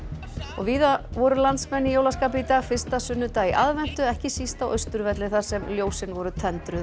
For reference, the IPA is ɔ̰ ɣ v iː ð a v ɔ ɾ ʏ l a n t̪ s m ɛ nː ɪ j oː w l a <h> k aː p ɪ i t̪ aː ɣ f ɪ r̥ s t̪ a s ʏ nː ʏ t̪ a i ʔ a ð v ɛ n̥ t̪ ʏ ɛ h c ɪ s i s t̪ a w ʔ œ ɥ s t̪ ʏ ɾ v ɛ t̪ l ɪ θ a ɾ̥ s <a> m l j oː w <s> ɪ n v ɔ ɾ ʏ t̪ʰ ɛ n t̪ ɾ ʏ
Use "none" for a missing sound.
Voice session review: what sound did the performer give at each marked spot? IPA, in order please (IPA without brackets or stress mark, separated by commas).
s, ɛ, s